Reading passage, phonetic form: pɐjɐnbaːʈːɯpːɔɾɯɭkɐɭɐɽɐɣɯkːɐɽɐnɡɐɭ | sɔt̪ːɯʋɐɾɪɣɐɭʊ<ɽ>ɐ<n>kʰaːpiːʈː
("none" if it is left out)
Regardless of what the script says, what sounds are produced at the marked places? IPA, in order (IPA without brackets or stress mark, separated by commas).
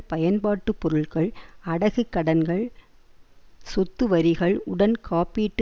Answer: ɽ, n